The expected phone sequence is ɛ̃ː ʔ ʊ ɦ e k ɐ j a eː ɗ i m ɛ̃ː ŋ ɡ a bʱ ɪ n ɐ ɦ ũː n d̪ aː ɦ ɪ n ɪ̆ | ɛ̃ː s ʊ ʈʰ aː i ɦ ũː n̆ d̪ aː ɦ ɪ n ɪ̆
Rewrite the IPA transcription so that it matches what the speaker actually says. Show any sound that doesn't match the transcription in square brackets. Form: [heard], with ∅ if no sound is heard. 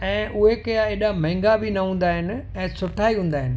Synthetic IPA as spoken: ɛ̃ː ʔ ʊ ɦ e k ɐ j a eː ɗ [a] m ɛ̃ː ŋ ɡ a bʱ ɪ n ɐ ɦ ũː n d̪ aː ɦ ɪ n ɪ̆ | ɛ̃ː s ʊ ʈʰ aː i ɦ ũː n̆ d̪ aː ɦ ɪ n ɪ̆